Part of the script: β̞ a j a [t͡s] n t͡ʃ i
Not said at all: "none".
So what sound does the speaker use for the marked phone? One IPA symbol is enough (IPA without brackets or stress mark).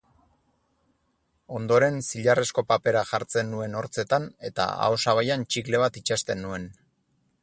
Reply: none